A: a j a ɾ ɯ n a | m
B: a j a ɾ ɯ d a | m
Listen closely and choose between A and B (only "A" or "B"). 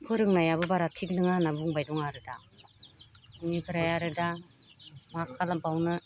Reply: B